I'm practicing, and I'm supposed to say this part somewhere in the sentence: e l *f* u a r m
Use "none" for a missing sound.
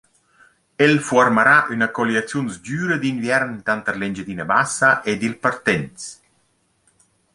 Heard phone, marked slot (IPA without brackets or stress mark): f